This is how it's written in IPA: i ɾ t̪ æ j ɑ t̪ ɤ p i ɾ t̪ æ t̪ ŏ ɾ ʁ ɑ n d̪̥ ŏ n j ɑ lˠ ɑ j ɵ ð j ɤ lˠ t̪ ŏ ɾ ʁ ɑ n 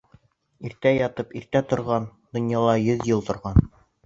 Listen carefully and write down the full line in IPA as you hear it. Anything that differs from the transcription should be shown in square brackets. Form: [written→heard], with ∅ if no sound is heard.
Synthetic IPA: i ɾ t̪ æ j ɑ t̪ ɤ p i ɾ t̪ æ t̪ ŏ ɾ ʁ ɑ n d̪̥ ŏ n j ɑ lˠ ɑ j ɵ ð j ɤ lˠ t̪ ŏ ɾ ʁ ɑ n